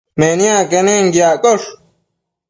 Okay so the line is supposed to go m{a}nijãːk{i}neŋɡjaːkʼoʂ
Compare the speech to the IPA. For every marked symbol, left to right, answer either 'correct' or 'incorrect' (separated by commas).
incorrect, incorrect